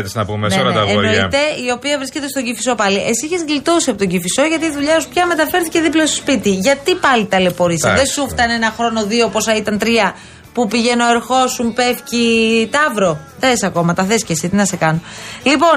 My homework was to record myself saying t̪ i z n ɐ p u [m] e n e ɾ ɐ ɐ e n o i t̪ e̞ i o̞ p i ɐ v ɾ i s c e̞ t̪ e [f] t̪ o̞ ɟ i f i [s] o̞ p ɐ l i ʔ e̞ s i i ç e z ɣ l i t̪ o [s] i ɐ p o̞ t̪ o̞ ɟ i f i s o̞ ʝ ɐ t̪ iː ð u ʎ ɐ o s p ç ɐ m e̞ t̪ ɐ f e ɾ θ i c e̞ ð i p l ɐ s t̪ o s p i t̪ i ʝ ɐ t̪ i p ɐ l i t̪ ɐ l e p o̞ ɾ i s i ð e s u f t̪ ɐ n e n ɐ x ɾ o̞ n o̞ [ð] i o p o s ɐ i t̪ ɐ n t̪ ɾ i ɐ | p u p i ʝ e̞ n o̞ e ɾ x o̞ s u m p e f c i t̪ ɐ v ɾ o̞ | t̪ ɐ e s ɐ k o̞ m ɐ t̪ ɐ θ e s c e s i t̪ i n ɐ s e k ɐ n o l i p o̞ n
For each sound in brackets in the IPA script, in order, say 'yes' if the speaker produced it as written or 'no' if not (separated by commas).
yes, no, yes, yes, yes